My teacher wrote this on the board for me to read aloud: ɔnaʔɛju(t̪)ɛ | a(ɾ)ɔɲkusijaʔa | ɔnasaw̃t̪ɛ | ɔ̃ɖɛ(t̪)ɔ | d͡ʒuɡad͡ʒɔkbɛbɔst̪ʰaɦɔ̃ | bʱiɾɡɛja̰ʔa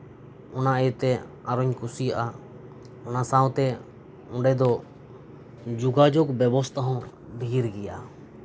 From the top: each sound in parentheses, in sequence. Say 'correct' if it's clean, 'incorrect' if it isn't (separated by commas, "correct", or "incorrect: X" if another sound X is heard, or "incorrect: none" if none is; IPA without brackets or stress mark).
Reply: correct, correct, incorrect: d̪